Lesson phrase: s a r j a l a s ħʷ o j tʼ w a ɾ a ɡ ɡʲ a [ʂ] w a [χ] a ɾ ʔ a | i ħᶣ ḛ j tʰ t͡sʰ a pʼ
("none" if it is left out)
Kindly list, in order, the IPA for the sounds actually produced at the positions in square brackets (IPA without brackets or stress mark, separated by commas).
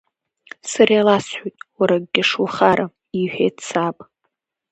ʂ, χ